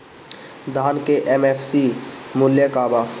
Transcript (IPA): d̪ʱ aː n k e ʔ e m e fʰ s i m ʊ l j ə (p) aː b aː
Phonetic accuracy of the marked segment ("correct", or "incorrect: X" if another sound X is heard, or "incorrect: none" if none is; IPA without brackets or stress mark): incorrect: k